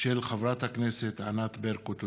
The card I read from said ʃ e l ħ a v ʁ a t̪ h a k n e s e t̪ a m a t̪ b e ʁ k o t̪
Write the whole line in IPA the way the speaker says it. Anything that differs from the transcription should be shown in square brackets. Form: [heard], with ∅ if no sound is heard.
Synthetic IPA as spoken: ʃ e l [χ] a v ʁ a t̪ h a k n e s e t̪ a [n] a t̪ b e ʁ k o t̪

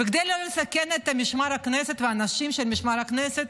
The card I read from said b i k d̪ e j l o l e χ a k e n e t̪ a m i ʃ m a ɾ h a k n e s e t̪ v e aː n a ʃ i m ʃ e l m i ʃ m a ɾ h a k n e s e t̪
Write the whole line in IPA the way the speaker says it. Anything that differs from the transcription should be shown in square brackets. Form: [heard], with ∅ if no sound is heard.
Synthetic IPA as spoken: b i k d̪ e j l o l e [s] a k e n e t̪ a m i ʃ m a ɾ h a k n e s e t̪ v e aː n a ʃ i m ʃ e l m i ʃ m a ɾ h a k n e s e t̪

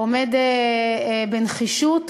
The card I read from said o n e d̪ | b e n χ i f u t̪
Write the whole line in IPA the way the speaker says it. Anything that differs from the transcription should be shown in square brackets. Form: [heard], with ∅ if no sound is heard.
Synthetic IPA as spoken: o [m] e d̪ | b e n χ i [ʃ] u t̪

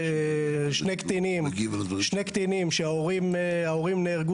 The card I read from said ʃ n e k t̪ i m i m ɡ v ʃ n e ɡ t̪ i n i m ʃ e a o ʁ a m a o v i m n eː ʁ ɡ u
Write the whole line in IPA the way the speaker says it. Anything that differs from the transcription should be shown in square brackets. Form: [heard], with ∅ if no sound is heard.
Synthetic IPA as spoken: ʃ n e k t̪ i [n] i m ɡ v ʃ n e [k] t̪ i n i m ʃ e a o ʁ [i] m a o [ʁ] i m n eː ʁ ɡ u

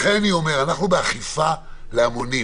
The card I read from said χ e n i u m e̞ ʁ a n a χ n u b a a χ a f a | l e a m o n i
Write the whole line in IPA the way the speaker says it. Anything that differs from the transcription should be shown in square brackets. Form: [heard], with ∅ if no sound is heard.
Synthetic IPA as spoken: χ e n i [o] m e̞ ʁ a n a χ n u b [e] a χ [i] f a | l e a m o n i

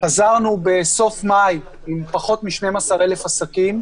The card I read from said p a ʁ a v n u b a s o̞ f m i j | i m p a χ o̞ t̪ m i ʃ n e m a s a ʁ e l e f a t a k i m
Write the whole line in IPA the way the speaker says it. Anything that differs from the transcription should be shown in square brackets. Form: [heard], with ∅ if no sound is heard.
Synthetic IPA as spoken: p a [z] a [ʁ] n u b [e] s o̞ f m [a] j | i m p a χ o̞ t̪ m i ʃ n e m a s a ʁ e l e f a [s] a k i m

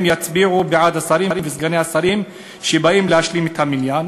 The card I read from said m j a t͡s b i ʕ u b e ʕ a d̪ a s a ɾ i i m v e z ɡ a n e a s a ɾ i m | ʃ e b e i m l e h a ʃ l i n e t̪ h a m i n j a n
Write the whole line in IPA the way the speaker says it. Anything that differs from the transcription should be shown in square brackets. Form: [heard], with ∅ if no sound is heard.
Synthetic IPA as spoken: m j a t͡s b i ʕ u b e ʕ a d̪ a s a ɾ i i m v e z ɡ a n e a s a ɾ i m | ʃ e b [a] i m l e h a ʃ l i [m] e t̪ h a m i n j a n

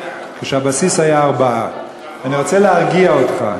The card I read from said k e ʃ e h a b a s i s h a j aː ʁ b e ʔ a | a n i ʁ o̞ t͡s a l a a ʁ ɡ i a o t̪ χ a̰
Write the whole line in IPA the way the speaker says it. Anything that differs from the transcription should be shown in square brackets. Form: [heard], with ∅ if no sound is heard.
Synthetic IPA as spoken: k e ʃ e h a b a s i s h a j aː ʁ b [a] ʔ a | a n i ʁ o̞ t͡s [e] l [e] a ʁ ɡ i a o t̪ χ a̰

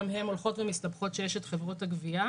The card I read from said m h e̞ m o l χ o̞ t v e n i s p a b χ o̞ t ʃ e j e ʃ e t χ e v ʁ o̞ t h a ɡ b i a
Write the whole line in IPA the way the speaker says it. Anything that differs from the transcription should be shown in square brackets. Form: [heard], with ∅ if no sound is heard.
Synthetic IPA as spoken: m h e̞ m o l χ o̞ t v e [m] i s [t] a b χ o̞ t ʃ e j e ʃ e t χ e v ʁ o̞ t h a ɡ [v] i a

